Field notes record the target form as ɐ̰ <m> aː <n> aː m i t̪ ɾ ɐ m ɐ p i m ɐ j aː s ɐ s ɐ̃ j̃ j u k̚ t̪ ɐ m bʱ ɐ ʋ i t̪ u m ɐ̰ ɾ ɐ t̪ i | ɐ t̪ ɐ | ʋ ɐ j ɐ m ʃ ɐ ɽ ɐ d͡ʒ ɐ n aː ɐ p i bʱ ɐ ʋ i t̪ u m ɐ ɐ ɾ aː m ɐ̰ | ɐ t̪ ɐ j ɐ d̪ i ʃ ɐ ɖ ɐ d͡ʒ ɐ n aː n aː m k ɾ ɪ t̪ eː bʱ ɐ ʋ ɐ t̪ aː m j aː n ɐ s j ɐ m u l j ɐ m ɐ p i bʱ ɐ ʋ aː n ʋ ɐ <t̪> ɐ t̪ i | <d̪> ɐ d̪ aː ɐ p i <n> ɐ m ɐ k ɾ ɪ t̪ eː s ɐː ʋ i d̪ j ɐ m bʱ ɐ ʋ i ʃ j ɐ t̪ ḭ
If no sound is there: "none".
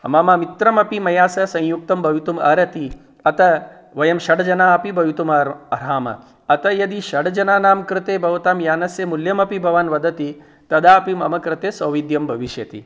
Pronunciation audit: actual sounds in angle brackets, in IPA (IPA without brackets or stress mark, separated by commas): m, m, d̪, t̪, m